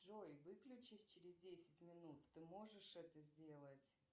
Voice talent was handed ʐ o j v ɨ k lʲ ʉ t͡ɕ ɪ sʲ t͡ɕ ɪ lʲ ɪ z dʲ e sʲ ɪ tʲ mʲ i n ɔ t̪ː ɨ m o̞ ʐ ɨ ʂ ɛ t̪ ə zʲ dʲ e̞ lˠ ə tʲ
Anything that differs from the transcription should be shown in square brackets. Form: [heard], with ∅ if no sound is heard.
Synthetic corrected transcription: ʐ o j v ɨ k lʲ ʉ t͡ɕ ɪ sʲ t͡ɕ ɪ [ɾʲ] ɪ z dʲ e sʲ ɪ tʲ mʲ [ɪ] n [u] t̪ː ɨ m o̞ ʐ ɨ ʂ ɛ t̪ ə zʲ dʲ e̞ lˠ ə tʲ